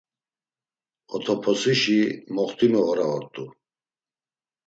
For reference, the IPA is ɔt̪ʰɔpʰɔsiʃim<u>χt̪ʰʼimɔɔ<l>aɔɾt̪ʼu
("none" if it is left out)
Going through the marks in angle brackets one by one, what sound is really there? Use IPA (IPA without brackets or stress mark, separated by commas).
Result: ɔ, ɾ